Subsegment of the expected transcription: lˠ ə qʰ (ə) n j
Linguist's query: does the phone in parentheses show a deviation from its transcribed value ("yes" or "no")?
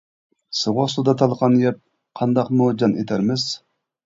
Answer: yes